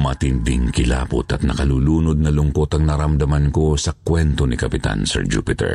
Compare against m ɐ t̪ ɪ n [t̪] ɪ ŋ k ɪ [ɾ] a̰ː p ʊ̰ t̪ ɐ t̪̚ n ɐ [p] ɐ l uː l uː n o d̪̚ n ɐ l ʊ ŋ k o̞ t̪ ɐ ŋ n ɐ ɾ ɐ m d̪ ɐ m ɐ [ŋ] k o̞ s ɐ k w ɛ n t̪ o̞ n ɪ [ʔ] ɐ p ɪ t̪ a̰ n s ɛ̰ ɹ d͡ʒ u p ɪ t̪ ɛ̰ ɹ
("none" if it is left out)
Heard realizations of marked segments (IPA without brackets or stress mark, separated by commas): d̪, l, k, n, k